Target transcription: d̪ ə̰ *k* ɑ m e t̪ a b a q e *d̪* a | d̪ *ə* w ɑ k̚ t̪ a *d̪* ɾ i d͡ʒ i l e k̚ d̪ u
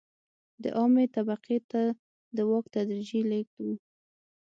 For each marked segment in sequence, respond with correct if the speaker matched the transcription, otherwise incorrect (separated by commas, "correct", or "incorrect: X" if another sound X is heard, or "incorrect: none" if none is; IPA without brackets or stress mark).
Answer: incorrect: ʔ, incorrect: t̪, correct, correct